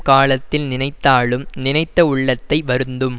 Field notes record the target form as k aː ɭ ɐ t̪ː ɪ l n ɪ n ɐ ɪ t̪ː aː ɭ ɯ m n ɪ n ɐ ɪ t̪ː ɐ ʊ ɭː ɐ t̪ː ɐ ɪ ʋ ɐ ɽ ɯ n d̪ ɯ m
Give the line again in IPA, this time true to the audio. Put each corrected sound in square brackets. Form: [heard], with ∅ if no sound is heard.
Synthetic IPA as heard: k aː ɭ ɐ t̪ː ɪ l n ɪ n ɐ ɪ t̪ː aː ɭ ɯ m n ɪ n ɐ ɪ t̪ː ɐ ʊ ɭː ɐ t̪ː ɐ ɪ ʋ ɐ [ɾ] ɯ n d̪ ɯ m